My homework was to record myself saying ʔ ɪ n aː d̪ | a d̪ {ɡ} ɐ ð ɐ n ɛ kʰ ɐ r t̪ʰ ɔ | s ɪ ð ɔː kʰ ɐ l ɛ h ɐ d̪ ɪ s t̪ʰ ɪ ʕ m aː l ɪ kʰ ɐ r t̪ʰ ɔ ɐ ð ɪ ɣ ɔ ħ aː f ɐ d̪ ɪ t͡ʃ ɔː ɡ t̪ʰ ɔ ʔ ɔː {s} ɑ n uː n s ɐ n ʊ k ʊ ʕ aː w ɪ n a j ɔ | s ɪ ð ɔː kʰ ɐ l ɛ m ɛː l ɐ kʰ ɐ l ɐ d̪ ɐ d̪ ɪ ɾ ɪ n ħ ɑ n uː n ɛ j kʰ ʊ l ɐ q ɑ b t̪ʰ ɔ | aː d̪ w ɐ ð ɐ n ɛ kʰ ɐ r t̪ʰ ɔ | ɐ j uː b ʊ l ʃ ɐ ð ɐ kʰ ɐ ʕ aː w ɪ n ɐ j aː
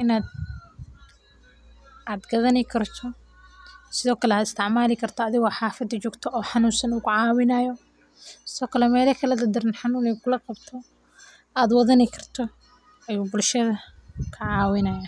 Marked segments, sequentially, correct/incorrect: correct, incorrect

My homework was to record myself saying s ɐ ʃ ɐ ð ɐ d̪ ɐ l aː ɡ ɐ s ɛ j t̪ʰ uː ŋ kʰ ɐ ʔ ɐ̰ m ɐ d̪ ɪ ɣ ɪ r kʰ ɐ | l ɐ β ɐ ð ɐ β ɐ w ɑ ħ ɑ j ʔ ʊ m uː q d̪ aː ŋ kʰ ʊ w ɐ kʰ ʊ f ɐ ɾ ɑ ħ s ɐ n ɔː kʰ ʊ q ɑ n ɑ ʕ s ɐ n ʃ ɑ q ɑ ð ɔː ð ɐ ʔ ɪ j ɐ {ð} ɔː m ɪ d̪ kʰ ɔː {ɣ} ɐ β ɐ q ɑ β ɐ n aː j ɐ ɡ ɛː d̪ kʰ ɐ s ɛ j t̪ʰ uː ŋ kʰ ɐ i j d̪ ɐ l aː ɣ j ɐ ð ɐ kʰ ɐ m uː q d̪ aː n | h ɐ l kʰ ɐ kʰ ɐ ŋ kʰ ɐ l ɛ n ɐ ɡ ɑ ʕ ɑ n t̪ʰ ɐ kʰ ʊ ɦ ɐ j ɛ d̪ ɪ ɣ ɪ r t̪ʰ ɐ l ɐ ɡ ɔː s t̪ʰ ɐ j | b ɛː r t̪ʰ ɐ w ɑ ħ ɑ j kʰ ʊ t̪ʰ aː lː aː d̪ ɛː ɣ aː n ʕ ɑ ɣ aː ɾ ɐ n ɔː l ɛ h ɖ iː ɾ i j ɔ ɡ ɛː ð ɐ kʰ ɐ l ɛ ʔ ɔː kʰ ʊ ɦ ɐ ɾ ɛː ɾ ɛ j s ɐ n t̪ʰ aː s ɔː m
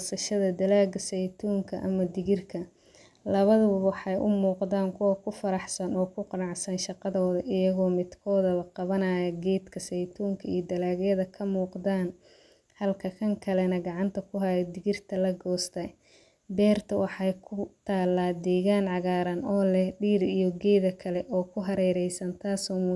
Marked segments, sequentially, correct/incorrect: incorrect, incorrect

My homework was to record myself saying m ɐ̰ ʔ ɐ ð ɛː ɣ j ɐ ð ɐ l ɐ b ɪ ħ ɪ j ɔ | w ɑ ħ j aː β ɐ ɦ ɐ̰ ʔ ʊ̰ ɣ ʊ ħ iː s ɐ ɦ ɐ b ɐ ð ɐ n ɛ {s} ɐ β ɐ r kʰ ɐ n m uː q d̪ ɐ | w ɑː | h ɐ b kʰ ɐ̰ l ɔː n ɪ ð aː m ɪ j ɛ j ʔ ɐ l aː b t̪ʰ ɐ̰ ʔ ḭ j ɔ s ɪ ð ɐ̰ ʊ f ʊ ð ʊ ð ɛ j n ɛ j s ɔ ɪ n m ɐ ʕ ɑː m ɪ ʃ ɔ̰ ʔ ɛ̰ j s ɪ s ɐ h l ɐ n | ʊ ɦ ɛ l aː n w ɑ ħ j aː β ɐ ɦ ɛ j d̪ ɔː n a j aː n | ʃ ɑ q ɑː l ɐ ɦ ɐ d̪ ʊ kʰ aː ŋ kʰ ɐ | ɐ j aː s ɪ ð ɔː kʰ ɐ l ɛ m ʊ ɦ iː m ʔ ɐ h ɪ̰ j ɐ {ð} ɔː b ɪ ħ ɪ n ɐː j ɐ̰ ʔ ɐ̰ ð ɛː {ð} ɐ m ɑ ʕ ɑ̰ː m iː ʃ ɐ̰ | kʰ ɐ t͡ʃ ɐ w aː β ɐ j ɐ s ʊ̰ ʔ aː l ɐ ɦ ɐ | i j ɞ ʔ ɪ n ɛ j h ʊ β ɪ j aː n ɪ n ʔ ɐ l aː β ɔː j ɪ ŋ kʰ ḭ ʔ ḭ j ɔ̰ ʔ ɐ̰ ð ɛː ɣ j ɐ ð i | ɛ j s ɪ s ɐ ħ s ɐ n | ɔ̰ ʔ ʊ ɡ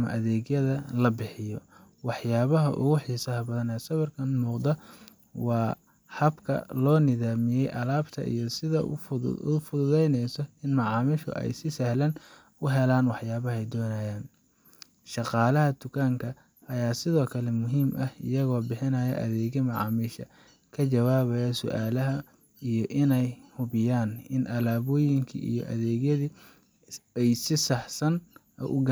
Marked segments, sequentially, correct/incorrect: correct, incorrect, incorrect

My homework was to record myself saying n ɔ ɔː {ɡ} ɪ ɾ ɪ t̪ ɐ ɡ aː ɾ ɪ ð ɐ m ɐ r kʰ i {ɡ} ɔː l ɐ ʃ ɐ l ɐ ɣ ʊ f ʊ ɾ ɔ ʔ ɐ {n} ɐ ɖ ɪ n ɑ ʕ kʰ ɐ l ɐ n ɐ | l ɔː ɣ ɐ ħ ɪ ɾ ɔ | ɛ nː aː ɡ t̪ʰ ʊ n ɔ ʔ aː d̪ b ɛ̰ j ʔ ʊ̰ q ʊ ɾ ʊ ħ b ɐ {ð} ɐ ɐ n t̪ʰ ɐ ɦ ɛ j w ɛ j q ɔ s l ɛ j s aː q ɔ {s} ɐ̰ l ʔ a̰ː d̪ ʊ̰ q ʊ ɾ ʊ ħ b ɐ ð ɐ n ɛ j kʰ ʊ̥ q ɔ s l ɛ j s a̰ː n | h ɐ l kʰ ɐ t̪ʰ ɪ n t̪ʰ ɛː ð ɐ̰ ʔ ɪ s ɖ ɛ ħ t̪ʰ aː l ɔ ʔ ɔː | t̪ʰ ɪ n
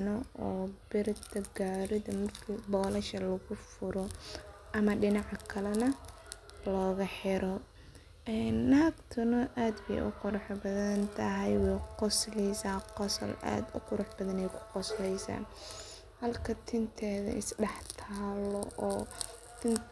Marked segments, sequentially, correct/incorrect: incorrect, incorrect, incorrect, correct, correct

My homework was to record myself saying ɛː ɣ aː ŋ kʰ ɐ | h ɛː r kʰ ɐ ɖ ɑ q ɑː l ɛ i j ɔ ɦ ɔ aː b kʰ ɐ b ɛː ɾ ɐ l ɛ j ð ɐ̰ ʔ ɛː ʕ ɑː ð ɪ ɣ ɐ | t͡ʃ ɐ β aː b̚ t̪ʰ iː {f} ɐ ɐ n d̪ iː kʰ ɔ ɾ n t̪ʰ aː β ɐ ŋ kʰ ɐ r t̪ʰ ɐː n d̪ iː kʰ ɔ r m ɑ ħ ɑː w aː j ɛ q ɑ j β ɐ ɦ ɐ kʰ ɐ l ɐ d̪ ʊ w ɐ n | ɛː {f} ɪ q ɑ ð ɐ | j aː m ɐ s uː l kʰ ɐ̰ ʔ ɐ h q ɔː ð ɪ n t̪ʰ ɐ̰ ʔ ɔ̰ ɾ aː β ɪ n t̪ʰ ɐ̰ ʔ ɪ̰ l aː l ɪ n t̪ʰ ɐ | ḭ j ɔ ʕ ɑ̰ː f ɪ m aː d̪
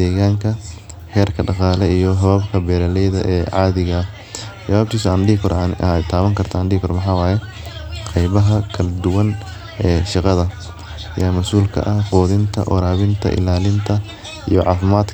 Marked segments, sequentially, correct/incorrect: incorrect, incorrect

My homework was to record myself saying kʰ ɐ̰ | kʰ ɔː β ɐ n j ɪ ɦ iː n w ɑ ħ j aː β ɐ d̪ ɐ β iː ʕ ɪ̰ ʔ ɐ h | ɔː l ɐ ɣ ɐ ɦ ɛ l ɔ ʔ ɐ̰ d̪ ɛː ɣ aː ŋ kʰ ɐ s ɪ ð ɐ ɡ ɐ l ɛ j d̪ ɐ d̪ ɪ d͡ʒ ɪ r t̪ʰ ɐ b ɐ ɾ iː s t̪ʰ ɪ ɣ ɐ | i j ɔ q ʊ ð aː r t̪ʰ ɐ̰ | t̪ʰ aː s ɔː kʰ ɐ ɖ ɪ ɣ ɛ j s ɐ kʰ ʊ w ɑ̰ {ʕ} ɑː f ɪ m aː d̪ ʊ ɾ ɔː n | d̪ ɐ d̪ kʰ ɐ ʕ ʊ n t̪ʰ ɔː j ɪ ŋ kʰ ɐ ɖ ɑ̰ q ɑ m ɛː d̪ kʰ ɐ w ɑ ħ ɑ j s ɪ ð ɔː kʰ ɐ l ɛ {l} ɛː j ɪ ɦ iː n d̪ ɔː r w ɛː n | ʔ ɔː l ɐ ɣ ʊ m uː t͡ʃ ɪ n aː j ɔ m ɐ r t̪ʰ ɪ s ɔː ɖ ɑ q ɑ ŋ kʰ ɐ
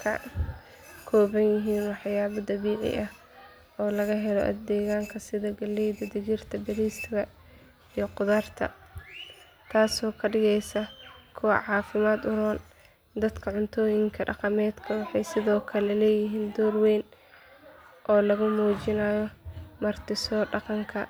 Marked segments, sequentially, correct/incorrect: correct, correct

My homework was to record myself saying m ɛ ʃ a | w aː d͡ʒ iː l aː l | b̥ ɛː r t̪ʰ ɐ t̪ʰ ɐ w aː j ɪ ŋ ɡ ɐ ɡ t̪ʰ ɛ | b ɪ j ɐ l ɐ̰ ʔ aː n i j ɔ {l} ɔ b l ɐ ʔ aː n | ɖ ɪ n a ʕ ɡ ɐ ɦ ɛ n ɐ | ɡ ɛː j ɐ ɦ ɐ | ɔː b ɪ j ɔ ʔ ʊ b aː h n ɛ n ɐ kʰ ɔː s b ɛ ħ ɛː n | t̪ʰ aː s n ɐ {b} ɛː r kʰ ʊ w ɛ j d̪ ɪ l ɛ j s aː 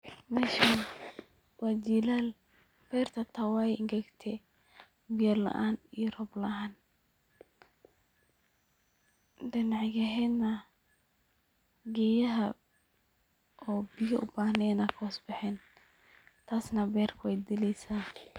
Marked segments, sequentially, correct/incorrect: incorrect, correct

